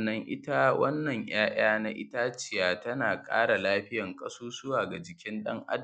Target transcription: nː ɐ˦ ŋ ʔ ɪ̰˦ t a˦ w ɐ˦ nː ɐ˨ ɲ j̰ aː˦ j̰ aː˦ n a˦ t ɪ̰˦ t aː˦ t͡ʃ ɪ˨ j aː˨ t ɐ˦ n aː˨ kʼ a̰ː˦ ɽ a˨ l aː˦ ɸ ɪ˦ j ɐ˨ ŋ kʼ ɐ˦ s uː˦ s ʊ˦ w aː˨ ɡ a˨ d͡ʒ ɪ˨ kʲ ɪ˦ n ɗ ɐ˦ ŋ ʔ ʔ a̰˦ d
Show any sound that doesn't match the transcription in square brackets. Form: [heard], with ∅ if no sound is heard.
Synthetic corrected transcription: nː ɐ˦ ŋ ʔ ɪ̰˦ t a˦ w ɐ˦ nː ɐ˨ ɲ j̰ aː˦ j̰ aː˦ n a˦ [ʔ] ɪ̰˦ t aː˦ t͡ʃ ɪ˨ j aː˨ t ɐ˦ n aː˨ kʼ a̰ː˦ ɽ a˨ l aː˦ ɸ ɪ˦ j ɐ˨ ŋ kʼ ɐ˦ s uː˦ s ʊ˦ w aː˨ ɡ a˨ d͡ʒ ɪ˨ kʲ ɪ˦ n ɗ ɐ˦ ŋ ʔ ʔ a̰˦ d